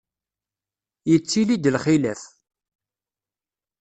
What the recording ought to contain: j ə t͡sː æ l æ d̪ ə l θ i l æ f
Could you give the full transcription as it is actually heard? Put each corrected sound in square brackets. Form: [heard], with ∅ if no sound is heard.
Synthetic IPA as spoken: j ə t͡sː [i] l [i] d̪ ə l [χ] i l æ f

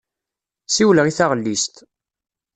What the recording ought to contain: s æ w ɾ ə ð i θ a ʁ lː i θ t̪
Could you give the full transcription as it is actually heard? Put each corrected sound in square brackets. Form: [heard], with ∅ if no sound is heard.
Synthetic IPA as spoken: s [i] w [l] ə [ʁ] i θ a ʁ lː i [s] t̪

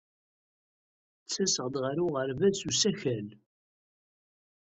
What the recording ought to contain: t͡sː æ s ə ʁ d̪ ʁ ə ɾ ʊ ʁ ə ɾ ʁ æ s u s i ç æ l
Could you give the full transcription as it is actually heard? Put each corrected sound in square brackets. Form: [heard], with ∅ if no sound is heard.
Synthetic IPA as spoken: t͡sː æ s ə ʁ d̪ ʁ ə ɾ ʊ ʁ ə ɾ [v] æ s u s [æ] ç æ l

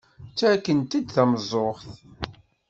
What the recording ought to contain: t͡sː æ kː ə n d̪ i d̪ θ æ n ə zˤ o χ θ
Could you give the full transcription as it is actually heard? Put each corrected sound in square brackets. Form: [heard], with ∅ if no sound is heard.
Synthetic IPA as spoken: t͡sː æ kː ə n [t̪] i d̪ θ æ [m] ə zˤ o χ θ

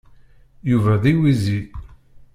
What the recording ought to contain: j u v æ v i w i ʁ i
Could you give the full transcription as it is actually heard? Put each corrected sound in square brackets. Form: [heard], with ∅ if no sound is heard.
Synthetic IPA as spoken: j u v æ [ð] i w i [z] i

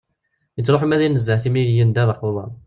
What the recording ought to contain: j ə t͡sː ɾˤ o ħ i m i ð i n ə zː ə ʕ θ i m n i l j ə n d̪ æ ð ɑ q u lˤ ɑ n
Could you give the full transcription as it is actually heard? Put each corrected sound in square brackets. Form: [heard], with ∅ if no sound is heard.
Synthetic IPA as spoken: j ə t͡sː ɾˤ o ħ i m [æ] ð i n ə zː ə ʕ θ i m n i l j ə n d̪ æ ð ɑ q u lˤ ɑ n

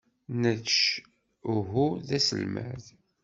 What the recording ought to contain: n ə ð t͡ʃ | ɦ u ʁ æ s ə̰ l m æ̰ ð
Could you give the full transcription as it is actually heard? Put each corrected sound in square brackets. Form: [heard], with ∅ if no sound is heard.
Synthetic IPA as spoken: n ə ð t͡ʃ | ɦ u [ð] æ s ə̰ l m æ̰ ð

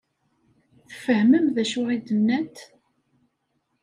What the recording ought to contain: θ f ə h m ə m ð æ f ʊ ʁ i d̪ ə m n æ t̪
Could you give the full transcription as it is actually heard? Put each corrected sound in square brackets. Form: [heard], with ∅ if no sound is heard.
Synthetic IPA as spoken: θ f ə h m ə m ð æ [ʃ] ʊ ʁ i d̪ ə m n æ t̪

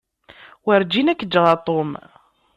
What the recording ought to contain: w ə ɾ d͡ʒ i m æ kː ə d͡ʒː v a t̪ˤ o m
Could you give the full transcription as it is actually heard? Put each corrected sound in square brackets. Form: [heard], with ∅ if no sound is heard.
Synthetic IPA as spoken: w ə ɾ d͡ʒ i [n] æ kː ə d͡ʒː [ʁ] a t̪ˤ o m

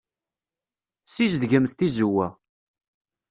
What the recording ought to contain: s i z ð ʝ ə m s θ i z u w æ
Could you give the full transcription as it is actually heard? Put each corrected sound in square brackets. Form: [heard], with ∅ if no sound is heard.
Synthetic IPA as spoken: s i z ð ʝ ə m [θ] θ i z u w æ

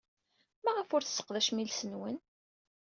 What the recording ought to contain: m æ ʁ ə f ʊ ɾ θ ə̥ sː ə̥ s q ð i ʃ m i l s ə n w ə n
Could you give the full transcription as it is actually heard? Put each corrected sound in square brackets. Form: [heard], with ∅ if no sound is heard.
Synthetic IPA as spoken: m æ ʁ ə f ʊ ɾ θ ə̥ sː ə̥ [∅] q ð [æ] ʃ m i l s ə n w ə n

